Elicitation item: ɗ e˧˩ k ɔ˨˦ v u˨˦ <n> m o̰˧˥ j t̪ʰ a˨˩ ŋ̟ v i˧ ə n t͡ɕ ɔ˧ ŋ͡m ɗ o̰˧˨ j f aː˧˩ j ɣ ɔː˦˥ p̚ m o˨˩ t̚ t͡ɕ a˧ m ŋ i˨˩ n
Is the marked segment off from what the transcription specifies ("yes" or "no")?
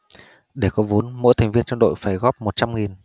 no